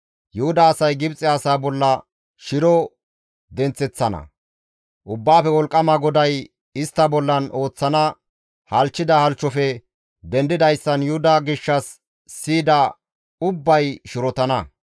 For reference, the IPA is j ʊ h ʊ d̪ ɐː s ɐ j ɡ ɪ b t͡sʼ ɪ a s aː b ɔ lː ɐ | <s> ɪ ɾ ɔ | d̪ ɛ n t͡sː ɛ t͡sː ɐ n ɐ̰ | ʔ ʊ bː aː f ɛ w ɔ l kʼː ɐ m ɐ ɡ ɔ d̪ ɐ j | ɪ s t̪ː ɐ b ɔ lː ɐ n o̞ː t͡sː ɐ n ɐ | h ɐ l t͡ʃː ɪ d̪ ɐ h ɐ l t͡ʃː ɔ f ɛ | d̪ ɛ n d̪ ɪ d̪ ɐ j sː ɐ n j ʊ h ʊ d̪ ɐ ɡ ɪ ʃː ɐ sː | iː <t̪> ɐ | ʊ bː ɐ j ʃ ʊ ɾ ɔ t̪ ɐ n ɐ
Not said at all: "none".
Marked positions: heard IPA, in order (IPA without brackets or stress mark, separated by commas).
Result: ʃ, d̪